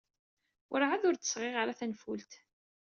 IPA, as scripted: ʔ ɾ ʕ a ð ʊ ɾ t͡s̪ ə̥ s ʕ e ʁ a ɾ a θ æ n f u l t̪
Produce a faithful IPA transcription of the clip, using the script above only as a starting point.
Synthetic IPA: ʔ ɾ ʕ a ð ʊ ɾ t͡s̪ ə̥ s ʁ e ʁ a ɾ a θ æ n f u l t̪